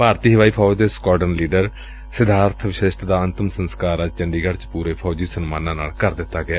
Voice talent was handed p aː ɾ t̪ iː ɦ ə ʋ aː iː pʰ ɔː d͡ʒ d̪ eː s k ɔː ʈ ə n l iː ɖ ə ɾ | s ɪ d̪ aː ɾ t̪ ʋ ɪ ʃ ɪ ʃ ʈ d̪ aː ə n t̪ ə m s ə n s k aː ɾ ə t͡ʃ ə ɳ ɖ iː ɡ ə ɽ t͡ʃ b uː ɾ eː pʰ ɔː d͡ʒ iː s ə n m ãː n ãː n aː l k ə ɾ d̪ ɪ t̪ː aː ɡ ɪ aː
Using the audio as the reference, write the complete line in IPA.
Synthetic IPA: p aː ɾ t̪ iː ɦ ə ʋ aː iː pʰ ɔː d͡ʒ d̪ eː s k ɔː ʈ ə n l iː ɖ ə ɾ | s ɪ d̪ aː ɾ t̪ʰ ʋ ɪ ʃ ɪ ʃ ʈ d̪ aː ə n t̪ ə m s ə n s k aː ɾ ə t͡ʃ ə ɳ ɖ iː ɡ ə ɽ t͡ʃ p uː ɾ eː pʰ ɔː d͡ʒ iː s ə n m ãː n ãː n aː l k ə ɾ d̪ ɪ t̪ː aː ɡ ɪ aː